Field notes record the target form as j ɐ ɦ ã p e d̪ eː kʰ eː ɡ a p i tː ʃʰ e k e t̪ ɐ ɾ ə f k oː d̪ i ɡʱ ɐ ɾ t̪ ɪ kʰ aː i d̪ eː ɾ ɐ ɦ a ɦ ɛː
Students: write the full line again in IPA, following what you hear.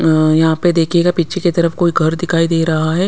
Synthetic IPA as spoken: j ɐ ɦ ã p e d̪ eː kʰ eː ɡ a p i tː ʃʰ e k e t̪ ɐ ɾ ə f k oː i ɡʱ ɐ ɾ d̪ ɪ kʰ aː i d̪ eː ɾ ɐ ɦ a ɦ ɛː

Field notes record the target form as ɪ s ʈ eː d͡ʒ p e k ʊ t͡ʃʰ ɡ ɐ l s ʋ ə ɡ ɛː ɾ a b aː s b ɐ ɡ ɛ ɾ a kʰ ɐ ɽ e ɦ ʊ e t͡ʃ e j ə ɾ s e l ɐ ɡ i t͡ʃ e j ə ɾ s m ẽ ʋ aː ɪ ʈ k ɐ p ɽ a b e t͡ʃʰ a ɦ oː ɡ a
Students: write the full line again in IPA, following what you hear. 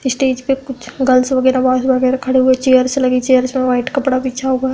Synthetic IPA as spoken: ɪ s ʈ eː d͡ʒ p e k ʊ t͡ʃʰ ɡ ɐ l s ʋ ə ɡ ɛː ɾ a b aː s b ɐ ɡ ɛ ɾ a kʰ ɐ ɽ e ɦ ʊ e t͡ʃ e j ə ɾ s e l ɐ ɡ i t͡ʃ e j ə ɾ s m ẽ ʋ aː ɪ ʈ k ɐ p ɽ a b i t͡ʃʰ a ɦ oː ɡ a

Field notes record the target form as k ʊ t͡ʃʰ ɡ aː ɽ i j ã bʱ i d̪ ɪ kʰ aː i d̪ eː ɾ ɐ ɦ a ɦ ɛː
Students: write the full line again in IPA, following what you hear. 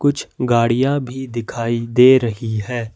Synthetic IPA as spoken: k ʊ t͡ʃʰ ɡ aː ɽ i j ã bʱ i d̪ ɪ kʰ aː i d̪ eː ɾ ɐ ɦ i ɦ ɛː

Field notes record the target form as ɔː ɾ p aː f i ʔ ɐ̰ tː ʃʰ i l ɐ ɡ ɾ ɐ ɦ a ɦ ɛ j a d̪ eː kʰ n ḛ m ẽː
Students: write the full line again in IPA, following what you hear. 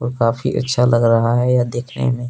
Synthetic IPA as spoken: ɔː ɾ k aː f i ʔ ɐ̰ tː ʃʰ a l ɐ ɡ ɾ ɐ ɦ a ɦ ɛ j a d̪ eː kʰ n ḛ m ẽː

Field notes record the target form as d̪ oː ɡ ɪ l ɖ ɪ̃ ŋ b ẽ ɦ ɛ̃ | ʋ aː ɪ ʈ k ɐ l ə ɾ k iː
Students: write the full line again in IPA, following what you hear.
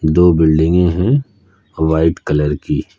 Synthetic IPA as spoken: d̪ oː b ɪ l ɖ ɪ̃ ŋ ɡ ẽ ɦ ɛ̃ | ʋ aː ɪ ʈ k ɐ l ə ɾ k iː

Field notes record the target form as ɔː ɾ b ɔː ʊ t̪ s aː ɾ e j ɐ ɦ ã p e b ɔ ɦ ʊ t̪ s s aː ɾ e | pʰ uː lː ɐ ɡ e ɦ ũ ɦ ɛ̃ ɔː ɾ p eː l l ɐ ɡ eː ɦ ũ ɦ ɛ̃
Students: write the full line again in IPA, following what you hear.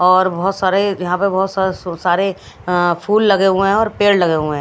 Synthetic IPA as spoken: ɔː ɾ b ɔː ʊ t̪ s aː ɾ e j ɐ ɦ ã p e b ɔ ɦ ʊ t̪ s s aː ɾ e | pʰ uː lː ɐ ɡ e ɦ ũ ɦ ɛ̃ ɔː ɾ p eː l l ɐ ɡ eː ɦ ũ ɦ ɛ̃

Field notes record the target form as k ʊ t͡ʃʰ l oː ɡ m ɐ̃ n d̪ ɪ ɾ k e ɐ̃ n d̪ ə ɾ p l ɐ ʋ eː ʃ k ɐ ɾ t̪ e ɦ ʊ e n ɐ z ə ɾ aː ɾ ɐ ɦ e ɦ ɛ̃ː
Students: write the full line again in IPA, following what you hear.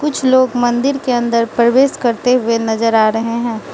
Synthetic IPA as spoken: k ʊ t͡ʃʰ l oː ɡ m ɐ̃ n d̪ ɪ ɾ k e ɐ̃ n d̪ ə ɾ p ɾ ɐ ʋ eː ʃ k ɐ ɾ t̪ e ɦ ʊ e n ɐ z ə ɾ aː ɾ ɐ ɦ e ɦ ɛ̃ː

